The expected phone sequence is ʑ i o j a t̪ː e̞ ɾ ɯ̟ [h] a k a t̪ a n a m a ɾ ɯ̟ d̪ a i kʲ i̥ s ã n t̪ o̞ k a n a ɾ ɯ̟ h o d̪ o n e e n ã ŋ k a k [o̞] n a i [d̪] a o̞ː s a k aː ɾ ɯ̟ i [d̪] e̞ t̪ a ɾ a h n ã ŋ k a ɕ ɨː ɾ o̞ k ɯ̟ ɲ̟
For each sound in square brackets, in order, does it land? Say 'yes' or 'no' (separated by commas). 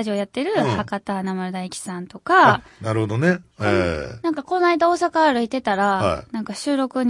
yes, yes, yes, no